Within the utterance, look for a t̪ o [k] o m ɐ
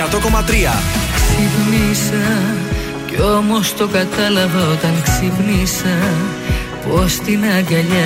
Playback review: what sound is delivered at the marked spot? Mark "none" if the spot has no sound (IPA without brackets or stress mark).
k